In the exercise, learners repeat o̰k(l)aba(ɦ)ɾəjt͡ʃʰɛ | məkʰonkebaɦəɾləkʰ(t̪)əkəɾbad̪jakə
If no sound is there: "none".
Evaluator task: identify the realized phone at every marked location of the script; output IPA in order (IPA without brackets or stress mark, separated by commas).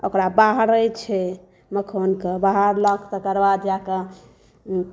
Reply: ɾ, ɦ, t̪